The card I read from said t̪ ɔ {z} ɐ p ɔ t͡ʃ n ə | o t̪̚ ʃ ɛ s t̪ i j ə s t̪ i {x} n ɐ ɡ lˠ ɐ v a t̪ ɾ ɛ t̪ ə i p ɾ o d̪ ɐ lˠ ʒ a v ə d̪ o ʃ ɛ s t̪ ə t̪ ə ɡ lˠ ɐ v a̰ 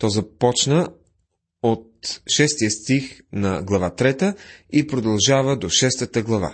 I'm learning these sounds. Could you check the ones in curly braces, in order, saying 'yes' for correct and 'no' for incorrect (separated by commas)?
yes, yes